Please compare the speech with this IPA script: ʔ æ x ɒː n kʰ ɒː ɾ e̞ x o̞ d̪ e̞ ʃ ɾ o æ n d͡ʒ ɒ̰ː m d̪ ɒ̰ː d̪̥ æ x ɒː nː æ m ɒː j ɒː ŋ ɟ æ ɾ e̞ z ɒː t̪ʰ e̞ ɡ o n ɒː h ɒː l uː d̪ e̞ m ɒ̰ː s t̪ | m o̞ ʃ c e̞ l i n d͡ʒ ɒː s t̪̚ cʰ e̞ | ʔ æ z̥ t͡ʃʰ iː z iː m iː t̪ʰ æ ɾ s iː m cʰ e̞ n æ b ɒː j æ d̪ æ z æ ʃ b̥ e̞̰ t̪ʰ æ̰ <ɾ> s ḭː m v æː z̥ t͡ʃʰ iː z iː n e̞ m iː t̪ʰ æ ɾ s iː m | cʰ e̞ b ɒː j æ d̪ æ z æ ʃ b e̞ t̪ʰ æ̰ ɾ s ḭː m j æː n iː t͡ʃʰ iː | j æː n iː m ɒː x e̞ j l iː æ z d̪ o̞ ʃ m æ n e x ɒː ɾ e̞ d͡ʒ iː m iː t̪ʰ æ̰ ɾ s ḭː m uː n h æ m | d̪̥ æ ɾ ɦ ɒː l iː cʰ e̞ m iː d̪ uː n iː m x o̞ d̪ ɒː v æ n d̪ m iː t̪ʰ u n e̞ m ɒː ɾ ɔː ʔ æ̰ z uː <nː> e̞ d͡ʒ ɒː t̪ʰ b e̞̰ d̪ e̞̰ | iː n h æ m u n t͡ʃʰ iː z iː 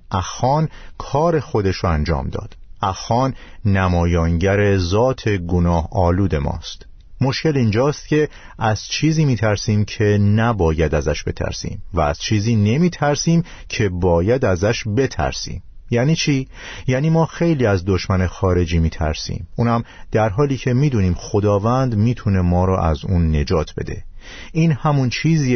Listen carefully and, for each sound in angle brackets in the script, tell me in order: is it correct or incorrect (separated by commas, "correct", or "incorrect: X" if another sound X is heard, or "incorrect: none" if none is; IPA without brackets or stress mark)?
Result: correct, correct